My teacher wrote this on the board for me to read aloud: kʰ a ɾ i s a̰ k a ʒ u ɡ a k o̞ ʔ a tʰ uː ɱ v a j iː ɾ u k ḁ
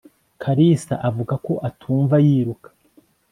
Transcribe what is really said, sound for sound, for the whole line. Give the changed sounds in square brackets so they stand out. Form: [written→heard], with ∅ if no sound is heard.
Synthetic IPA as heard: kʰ a ɾ i s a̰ [k→ʔ] a [ʒ→v] u ɡ a k o̞ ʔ a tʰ uː ɱ v a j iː ɾ u k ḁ